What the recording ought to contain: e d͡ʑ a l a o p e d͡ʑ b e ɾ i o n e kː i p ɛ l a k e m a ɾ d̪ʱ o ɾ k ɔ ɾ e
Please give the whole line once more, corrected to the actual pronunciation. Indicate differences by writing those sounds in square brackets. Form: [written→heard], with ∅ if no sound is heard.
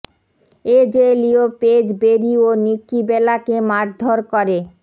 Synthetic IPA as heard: e d͡ʑ [a→e] l [a→i] o p e d͡ʑ b e ɾ i o n [e→i] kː i [p→b] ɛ l a k e m a ɾ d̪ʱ o ɾ k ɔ ɾ e